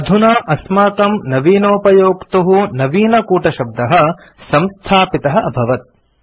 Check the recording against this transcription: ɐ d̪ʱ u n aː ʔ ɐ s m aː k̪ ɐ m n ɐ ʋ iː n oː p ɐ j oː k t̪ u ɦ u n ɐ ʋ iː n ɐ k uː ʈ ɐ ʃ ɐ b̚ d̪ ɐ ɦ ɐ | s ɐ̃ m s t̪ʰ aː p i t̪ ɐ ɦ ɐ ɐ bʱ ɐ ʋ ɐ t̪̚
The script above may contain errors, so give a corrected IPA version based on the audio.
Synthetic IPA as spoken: ɐ d̪ʱ u n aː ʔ ɐ s m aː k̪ ɐ m n ɐ ʋ iː n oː p ɐ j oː k t̪ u ɦ u n ɐ ʋ iː n ɐ k uː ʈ ɐ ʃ ɐ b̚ d̪ ɐ ɦ ɐ | s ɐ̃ m s t̪ʰ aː p i t̪ ɐ ɦ ɐ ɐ bʱ ɐ ʋ ɐ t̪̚